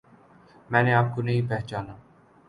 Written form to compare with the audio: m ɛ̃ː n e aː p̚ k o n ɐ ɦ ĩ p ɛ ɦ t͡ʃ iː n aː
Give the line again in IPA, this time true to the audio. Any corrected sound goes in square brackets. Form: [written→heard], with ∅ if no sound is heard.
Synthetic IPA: m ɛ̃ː n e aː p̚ k o n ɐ ɦ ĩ p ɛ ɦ t͡ʃ [iː→aː] n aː